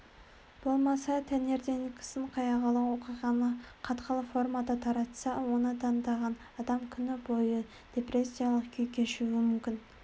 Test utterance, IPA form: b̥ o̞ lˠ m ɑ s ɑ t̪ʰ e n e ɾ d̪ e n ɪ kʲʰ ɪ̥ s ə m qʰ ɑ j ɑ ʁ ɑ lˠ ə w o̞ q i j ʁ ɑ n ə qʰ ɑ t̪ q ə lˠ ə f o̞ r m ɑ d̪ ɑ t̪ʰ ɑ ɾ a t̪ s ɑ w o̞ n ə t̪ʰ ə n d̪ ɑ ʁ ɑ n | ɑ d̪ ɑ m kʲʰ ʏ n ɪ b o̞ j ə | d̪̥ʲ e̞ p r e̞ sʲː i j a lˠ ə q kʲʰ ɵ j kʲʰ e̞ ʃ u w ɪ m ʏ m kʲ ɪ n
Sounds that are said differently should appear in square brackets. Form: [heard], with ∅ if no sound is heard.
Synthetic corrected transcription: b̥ o̞ lˠ m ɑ s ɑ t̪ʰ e n e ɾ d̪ e n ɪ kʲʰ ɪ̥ s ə [ɴ] qʰ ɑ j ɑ ʁ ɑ lˠ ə w o̞ q i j ʁ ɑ n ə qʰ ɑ t̪ q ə lˠ ə f o̞ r m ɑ d̪ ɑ t̪ʰ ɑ ɾ [ɑ] t̪ s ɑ w o̞ n ə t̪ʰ [ɑ] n d̪ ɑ ʁ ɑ n | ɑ d̪ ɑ m kʲʰ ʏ n ɪ b o̞ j ə | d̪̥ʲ e̞ p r e̞ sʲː i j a lˠ ə q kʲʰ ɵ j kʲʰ e̞ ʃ u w ɪ m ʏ m kʲ ɪ n